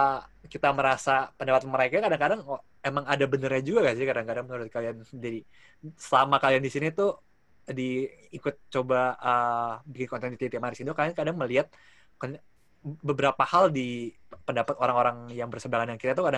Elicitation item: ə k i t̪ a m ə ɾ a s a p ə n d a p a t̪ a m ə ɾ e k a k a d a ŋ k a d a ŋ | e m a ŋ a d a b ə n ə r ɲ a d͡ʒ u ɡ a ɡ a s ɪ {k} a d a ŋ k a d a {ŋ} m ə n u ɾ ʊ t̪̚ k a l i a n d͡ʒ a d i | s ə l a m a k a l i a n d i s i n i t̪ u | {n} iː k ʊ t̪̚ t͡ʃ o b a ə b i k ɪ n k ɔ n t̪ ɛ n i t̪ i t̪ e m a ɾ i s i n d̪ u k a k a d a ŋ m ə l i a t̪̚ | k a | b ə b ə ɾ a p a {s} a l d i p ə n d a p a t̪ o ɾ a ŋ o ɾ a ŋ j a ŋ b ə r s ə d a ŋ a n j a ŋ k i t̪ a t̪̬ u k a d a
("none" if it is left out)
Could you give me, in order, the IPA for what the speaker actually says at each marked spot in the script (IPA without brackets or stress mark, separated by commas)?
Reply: k, ŋ, d, h